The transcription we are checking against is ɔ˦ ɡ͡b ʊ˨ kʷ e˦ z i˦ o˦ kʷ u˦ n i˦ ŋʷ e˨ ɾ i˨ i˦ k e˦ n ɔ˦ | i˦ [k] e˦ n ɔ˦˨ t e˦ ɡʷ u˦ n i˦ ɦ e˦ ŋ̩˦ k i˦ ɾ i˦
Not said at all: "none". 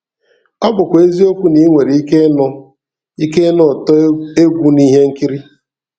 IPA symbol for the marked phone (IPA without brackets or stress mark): k